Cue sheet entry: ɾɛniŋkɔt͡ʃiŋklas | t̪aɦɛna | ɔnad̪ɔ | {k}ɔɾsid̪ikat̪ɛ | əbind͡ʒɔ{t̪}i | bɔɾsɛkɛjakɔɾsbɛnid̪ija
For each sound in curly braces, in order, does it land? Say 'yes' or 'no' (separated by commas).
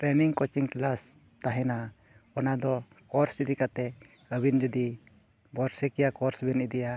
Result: yes, no